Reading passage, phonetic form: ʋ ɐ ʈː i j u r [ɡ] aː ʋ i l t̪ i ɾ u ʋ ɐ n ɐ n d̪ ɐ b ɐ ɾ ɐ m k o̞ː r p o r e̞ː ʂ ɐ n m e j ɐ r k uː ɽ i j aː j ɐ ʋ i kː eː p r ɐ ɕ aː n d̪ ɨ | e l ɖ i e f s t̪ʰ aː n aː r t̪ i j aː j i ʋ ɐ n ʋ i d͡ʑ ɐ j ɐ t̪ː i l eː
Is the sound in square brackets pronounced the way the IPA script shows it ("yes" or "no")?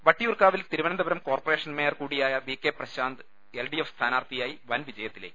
no